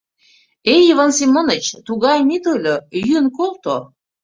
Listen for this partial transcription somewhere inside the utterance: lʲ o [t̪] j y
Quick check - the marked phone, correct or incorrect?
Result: incorrect